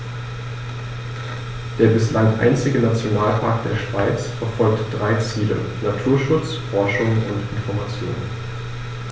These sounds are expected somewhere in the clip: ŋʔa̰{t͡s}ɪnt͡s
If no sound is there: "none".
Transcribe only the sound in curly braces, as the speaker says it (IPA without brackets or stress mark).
none